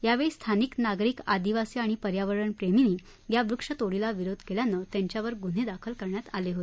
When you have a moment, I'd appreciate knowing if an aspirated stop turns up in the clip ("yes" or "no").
yes